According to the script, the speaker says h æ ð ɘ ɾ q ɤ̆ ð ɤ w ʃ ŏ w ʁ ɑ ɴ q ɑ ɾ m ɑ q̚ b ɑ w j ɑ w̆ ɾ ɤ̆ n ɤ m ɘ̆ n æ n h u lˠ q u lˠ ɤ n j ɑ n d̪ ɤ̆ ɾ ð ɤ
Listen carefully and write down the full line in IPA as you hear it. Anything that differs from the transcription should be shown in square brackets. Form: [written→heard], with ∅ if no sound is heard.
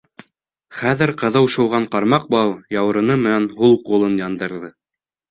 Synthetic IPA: [h→χ] æ ð ɘ ɾ q ɤ̆ ð ɤ w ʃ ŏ w ʁ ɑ ɴ q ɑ ɾ m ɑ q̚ b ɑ w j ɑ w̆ ɾ ɤ̆ n ɤ m ɘ̆ n æ n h u lˠ q u lˠ ɤ n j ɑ n d̪ ɤ̆ ɾ ð ɤ